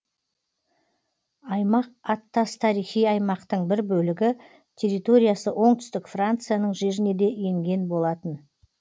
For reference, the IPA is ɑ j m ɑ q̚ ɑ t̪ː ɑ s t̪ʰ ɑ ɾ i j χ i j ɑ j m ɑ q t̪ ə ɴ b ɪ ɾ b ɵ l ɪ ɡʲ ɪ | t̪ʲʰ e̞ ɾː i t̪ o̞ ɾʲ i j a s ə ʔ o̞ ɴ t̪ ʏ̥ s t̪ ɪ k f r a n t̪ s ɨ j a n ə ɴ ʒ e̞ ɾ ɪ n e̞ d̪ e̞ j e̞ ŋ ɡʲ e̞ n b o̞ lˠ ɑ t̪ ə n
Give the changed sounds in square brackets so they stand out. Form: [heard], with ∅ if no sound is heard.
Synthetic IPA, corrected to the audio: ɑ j m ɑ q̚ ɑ t̪ː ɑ s t̪ʰ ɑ ɾ i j χ i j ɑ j m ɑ q t̪ ə ɴ b ɪ ɾ b ɵ l ɪ ɡʲ ɪ | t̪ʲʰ e̞ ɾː i t̪ o̞ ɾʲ i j a s ə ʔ o̞ ɴ t̪ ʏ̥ s t̪ ɪ k f r a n t̪ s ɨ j a n ə ɴ ʒ e̞ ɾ ɪ n e̞ d̪ e̞ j e̞ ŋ ɡʲ e̞ n b o̞ lˠ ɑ t̪ ə n

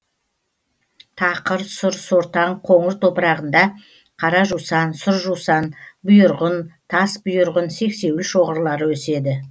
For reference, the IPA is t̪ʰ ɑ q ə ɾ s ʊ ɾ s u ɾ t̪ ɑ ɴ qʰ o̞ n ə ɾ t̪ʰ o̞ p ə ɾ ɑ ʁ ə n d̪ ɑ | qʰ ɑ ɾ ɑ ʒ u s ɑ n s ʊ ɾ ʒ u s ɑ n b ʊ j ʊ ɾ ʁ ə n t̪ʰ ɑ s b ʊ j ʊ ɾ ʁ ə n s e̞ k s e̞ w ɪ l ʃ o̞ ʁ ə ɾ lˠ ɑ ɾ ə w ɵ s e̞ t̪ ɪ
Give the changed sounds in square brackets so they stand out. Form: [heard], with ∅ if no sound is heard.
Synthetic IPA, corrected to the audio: t̪ʰ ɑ q ə ɾ s ʊ ɾ s [o] ɾ t̪ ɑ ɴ qʰ o̞ [ɴ] ə ɾ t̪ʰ o̞ p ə ɾ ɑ ʁ ə n d̪ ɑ | qʰ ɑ ɾ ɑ ʒ u s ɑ n s ʊ ɾ ʒ u s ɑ n b ʊ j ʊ ɾ ʁ ə n t̪ʰ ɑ s b ʊ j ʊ ɾ ʁ ə n s e̞ k s e̞ w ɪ l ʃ o̞ ʁ ə ɾ lˠ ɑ ɾ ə w ɵ s e̞ [d̪] ɪ

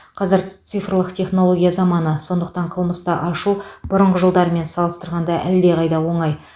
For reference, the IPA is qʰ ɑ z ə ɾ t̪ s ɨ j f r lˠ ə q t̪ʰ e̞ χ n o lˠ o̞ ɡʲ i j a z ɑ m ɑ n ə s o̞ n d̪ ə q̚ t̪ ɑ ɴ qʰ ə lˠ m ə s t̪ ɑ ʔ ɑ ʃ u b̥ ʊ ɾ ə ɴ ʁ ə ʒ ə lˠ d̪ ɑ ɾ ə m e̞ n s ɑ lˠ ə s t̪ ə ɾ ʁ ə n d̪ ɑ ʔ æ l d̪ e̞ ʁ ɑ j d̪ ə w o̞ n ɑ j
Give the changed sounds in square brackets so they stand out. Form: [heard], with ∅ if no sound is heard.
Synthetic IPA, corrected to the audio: qʰ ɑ z ə ɾ t̪ s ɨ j f r lˠ ə q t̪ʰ e̞ χ n o lˠ o̞ ɡʲ i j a z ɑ m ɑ n ə s o̞ n d̪ ə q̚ t̪ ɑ ɴ qʰ ə lˠ m ə s t̪ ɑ ʔ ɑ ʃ u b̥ ʊ ɾ ə ɴ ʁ ə ʒ ə lˠ d̪ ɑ ɾ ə m e̞ n s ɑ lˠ ə s t̪ ə ɾ ʁ [ɑ] n d̪ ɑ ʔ æ l d̪ e̞ ʁ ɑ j d̪ [ɑ] w o̞ [ɴ] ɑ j

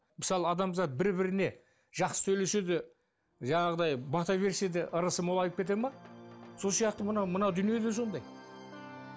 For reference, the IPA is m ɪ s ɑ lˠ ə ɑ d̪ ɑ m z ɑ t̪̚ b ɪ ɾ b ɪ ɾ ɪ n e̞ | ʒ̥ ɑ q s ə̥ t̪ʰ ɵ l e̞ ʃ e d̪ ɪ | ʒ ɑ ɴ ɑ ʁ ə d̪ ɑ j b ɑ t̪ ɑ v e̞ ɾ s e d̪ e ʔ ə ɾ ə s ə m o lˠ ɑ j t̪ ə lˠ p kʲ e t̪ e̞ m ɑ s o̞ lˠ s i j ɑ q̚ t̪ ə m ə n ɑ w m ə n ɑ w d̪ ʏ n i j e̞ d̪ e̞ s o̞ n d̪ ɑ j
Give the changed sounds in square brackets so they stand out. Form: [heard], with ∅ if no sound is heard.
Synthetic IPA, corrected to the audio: m ɪ s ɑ lˠ ə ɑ d̪ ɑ m z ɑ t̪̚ b ɪ ɾ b ɪ ɾ ɪ n e̞ | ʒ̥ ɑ q s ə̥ t̪ʰ ɵ l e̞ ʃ e d̪ ɪ | ʒ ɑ ɴ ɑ ʁ ə d̪ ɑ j b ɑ t̪ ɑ v e̞ ɾ s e d̪ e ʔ ə ɾ ə s ə m o lˠ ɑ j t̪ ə [∅] p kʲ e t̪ e̞ m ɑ s o̞ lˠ s i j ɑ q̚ t̪ ə m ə n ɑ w m ə n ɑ w d̪ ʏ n i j e̞ d̪ e̞ s o̞ n d̪ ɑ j

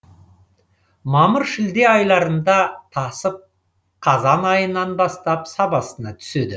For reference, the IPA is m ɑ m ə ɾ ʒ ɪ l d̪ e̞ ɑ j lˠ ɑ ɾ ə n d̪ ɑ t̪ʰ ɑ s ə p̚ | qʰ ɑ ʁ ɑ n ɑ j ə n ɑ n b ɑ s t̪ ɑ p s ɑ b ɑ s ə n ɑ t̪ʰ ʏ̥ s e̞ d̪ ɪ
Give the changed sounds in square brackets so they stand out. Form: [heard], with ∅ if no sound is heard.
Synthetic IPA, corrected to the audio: m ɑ m ə ɾ [ʃ] ɪ l d̪ e̞ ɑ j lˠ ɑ ɾ ə n d̪ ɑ t̪ʰ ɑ s ə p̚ | qʰ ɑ [z] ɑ n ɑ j ə n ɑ n b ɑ s t̪ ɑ p s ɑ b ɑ s ə n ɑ t̪ʰ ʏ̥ s e̞ d̪ ɪ

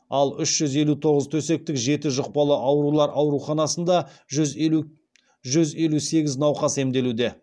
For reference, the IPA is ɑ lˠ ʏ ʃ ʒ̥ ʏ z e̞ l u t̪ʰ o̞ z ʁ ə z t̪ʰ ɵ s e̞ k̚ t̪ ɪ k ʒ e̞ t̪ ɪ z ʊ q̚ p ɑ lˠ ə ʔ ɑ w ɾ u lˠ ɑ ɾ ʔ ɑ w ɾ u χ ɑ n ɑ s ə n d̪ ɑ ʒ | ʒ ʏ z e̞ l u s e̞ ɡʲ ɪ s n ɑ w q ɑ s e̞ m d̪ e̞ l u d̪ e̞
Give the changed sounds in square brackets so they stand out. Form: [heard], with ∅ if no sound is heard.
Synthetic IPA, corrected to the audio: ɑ lˠ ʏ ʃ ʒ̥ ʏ z e̞ l u t̪ʰ o̞ [∅] ʁ ə z t̪ʰ ɵ s e̞ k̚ t̪ ɪ k ʒ e̞ t̪ ɪ [ʒ] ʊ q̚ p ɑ lˠ ə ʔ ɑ w ɾ u lˠ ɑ ɾ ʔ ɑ w ɾ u χ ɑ n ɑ s ə n d̪ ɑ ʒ | ʒ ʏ z e̞ l u s e̞ ɡʲ ɪ [z] n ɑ w q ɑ s e̞ m d̪ e̞ l u d̪ e̞

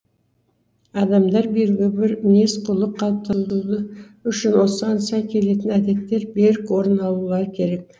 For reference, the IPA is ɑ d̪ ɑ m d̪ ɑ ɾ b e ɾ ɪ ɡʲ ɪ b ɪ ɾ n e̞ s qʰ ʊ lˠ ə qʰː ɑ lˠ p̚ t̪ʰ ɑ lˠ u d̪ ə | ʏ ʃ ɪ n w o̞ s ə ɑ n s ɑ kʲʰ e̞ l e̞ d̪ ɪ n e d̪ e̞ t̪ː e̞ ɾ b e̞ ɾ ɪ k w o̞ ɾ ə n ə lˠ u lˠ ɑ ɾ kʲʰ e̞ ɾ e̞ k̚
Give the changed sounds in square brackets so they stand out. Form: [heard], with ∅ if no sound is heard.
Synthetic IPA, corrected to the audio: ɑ d̪ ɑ m d̪ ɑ ɾ b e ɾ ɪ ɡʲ ɪ b ɪ ɾ n e̞ s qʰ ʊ lˠ ə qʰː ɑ lˠ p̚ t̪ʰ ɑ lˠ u d̪ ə | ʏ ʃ ɪ n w o̞ s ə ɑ n s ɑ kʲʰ e̞ l e̞ [t̪] ɪ n [æ] d̪ e̞ t̪ː e̞ ɾ b e̞ ɾ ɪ k w o̞ ɾ ə n [ɑ] lˠ u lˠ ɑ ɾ kʲʰ e̞ ɾ e̞ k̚

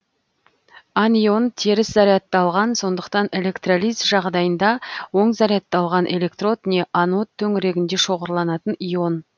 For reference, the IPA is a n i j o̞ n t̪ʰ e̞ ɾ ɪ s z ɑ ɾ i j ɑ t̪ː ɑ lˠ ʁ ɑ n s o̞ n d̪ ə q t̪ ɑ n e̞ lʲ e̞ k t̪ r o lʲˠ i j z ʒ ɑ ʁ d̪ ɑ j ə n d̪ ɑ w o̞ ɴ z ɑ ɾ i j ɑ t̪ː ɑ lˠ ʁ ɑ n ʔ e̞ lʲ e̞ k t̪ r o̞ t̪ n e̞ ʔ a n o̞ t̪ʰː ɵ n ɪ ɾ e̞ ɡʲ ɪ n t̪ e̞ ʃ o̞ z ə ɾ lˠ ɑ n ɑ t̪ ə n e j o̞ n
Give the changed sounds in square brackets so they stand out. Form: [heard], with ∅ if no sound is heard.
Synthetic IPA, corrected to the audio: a n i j o̞ n t̪ʰ e̞ ɾ ɪ s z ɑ ɾ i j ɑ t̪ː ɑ lˠ ʁ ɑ n s o̞ n d̪ ə q t̪ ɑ n e̞ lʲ e̞ k t̪ r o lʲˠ i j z ʒ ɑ ʁ d̪ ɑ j ə n d̪ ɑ w o̞ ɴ z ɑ ɾ i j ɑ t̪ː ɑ lˠ ʁ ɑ n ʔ e̞ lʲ e̞ k t̪ r o̞ t̪ n e̞ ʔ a n o̞ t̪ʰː ɵ [ŋ] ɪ ɾ e̞ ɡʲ ɪ n [d̪] e̞ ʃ o̞ [ʁ] ə ɾ lˠ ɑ n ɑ t̪ ə n [i] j o̞ n

